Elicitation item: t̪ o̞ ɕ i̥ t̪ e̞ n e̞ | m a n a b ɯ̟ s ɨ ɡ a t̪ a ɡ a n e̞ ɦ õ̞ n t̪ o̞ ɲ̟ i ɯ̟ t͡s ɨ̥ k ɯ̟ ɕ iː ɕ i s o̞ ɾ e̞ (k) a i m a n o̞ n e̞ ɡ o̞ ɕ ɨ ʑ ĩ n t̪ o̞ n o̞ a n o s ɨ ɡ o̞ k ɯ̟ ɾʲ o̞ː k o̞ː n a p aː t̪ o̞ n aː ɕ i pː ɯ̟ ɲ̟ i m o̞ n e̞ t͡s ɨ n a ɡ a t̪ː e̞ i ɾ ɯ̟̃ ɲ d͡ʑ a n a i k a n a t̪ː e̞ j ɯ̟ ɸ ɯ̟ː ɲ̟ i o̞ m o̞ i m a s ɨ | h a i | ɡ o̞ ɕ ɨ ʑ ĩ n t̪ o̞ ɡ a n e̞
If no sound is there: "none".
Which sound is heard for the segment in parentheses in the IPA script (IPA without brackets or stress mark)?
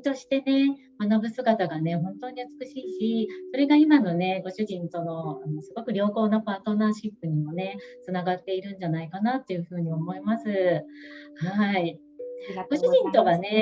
ɡ